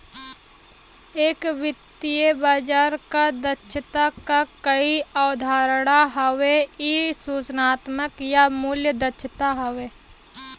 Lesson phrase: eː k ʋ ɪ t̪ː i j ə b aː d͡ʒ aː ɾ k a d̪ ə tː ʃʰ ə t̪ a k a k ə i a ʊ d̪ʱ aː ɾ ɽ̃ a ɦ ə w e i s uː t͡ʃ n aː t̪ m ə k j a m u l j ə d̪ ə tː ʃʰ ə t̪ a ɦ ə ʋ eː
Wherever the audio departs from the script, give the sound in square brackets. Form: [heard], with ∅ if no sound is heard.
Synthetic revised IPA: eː k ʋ ɪ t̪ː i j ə b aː d͡ʒ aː ɾ k a d̪ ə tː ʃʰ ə t̪ a k a k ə i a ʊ d̪ʱ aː ɾ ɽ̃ a ɦ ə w e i s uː t͡ʃ n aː t̪ m ə k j a m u l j ə d̪ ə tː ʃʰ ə t̪ a ɦ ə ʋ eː